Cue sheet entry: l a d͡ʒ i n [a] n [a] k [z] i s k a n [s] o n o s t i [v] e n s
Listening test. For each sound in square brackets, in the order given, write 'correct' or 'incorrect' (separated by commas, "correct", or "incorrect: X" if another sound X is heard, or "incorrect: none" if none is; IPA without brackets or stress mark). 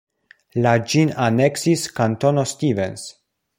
correct, incorrect: e, incorrect: s, incorrect: t, correct